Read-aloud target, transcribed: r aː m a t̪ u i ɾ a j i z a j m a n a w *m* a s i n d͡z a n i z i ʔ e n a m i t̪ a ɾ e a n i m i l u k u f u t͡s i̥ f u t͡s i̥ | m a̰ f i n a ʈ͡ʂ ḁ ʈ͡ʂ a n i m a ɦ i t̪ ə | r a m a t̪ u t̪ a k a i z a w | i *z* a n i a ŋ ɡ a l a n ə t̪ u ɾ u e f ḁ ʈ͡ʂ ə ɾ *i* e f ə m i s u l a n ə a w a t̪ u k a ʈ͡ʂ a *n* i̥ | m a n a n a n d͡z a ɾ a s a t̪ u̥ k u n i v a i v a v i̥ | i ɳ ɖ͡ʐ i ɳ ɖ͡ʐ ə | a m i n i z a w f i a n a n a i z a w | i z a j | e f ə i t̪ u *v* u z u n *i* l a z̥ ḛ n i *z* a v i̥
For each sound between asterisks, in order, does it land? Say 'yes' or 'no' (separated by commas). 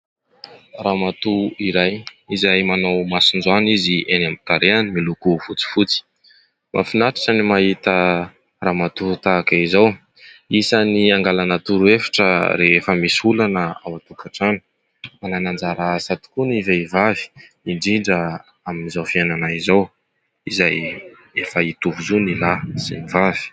yes, no, no, yes, yes, yes, no